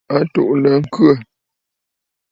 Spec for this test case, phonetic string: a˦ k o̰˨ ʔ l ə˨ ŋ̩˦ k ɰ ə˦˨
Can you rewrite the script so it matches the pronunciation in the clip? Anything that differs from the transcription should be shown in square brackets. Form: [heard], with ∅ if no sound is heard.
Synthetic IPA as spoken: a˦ [t] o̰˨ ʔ l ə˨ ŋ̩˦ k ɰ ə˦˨